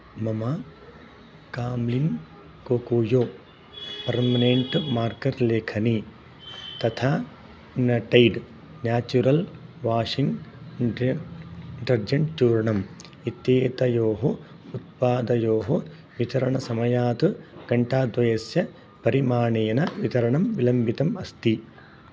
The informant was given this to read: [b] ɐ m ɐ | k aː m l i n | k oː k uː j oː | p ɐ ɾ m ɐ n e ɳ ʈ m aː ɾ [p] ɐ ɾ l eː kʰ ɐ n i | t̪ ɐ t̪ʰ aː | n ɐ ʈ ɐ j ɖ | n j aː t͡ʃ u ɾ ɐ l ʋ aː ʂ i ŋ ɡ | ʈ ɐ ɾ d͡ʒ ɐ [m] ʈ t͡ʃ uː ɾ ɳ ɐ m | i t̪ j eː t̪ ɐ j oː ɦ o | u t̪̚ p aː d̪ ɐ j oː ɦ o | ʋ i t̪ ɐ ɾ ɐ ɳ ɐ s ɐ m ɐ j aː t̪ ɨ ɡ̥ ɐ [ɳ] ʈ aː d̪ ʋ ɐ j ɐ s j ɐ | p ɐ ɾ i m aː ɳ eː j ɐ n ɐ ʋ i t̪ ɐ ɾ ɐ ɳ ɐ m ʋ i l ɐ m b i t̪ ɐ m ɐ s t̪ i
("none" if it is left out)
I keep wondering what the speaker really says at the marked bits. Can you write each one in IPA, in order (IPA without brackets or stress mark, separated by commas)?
m, k, ɳ, ɳ